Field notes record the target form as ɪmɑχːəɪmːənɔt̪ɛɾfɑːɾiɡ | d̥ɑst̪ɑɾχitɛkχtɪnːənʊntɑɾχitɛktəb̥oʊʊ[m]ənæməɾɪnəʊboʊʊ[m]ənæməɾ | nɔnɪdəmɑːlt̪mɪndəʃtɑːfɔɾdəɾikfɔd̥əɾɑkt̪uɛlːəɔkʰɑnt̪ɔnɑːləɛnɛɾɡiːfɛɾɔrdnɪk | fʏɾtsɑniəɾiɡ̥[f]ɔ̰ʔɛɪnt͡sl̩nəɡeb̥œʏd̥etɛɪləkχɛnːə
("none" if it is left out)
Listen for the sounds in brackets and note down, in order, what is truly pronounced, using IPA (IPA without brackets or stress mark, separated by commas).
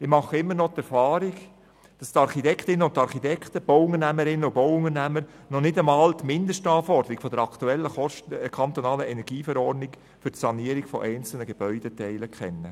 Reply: ŋ, ŋ, f